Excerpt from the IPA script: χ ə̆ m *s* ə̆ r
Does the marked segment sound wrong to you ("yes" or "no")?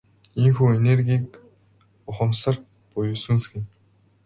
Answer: no